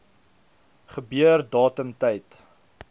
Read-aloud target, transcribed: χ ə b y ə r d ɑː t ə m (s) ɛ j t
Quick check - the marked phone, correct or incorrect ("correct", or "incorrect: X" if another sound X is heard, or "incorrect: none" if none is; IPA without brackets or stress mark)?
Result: incorrect: t